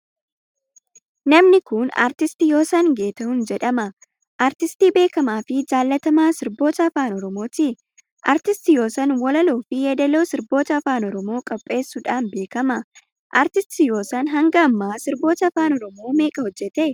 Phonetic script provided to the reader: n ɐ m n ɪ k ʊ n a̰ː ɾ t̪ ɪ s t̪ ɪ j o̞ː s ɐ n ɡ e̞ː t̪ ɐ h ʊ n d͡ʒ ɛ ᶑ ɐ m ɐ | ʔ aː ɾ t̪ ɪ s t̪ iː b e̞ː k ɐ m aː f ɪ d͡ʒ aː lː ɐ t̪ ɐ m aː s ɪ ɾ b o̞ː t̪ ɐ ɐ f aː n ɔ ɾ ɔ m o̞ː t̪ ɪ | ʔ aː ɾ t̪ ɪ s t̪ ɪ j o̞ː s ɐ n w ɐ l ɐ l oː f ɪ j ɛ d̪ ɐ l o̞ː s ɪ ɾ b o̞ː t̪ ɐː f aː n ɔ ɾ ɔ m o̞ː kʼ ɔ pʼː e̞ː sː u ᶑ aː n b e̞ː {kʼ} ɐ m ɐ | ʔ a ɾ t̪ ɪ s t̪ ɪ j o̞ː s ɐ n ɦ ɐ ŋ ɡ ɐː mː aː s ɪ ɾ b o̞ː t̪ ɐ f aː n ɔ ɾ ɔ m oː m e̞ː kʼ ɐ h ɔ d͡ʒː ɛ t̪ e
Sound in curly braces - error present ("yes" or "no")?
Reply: yes